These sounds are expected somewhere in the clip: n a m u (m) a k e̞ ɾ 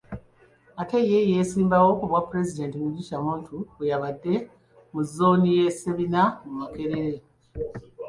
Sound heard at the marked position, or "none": m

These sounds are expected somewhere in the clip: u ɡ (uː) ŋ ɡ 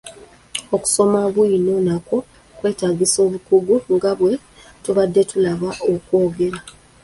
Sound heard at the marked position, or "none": u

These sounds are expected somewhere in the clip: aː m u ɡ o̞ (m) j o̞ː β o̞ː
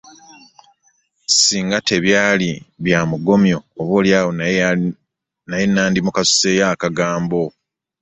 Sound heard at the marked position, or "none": m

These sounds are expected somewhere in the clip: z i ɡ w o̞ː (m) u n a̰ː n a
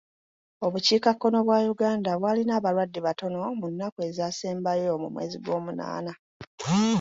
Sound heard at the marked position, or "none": m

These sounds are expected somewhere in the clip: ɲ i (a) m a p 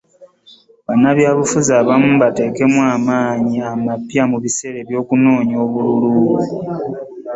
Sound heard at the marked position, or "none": a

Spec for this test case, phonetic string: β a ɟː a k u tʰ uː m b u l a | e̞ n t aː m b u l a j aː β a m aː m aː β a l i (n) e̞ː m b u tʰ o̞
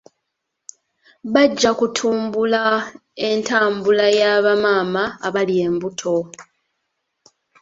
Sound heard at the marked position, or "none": none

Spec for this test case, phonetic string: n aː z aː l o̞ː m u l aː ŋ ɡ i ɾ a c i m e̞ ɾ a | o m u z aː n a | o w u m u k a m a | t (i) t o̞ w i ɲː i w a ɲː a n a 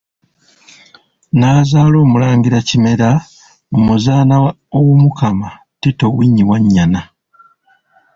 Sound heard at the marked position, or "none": i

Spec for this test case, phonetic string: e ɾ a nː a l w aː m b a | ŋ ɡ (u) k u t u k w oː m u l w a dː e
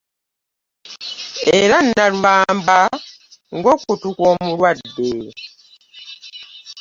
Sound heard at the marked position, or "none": o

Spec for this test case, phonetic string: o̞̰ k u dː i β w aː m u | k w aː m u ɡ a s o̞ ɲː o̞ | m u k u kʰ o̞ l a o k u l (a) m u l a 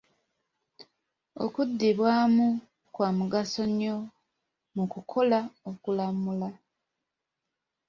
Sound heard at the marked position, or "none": a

